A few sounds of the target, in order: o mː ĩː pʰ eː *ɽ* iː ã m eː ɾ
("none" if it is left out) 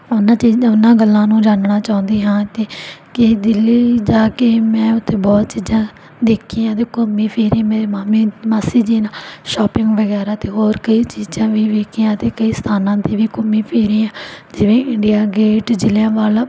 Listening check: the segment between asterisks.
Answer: ɾ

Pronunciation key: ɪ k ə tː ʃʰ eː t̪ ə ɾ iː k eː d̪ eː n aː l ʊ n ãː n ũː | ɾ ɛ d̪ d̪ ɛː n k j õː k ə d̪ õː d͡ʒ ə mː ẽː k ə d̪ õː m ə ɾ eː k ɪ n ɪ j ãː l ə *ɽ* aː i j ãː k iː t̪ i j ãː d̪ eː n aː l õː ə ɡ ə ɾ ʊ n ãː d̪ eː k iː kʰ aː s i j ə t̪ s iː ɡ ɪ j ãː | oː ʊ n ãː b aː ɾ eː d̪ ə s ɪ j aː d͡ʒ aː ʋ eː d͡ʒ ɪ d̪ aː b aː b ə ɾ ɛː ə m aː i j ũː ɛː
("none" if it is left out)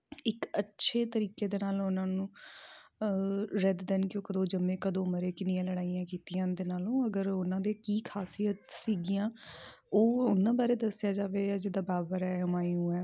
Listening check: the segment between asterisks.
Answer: ɽ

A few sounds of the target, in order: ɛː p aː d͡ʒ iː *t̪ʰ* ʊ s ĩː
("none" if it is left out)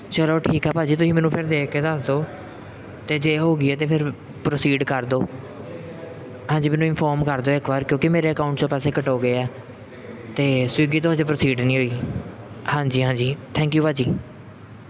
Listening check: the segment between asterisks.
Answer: t̪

